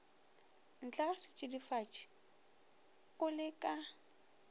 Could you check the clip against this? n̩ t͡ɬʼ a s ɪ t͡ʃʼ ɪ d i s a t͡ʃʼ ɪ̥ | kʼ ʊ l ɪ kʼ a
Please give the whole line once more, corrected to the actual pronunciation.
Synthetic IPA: n̩ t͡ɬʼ a s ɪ t͡ʃʼ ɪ d i f a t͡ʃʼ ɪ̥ | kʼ ʊ l ɪ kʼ a